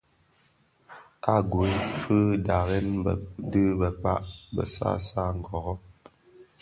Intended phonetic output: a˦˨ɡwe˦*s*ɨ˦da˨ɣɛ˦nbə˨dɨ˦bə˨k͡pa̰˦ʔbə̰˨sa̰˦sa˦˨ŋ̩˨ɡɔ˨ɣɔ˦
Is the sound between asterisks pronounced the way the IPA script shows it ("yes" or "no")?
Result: no